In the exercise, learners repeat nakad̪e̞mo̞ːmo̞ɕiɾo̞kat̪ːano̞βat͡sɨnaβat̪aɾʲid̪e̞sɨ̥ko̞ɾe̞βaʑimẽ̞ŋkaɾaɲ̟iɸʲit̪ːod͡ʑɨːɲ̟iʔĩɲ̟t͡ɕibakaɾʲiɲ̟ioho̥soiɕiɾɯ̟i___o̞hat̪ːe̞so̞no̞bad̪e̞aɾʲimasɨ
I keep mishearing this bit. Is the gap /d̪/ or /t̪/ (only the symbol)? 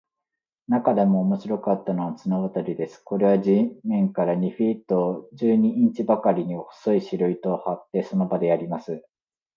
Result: t̪